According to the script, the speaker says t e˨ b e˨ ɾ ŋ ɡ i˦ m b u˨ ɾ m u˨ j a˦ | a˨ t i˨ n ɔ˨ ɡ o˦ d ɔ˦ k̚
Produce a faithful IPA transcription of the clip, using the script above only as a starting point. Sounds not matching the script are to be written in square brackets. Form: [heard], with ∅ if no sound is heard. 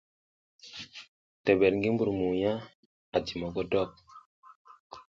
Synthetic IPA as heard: t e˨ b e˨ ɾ ŋ ɡ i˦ m b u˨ ɾ m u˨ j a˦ | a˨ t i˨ [m] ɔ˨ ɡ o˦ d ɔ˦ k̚